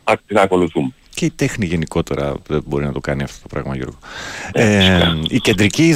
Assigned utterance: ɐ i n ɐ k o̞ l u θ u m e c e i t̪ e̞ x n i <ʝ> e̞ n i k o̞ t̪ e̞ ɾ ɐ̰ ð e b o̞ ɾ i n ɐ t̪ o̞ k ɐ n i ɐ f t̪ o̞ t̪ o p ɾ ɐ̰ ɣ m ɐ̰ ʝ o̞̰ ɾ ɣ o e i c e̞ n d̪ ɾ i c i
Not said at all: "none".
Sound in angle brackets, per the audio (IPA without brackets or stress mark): ʝ